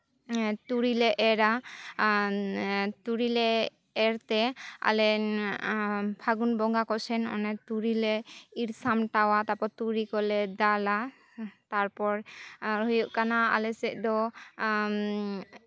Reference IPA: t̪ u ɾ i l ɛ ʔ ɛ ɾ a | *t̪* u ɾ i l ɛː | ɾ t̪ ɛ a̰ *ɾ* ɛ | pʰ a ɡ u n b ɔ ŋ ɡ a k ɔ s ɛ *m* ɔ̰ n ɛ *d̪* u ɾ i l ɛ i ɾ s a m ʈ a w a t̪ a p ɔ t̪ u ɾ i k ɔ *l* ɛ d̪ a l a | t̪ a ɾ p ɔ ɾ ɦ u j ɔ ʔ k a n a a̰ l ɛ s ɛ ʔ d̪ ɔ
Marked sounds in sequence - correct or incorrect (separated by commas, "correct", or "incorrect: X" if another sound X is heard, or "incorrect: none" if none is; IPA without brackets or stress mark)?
correct, incorrect: l, incorrect: n, incorrect: t̪, correct